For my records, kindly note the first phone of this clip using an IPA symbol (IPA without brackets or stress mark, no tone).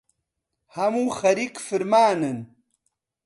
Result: h